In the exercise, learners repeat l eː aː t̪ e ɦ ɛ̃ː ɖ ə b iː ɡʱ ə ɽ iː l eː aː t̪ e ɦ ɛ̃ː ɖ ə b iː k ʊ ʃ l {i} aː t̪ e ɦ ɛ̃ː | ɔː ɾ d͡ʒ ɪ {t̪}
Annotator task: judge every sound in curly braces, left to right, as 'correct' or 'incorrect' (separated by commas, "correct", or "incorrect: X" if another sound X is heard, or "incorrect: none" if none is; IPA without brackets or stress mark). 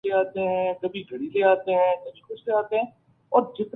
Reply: incorrect: e, correct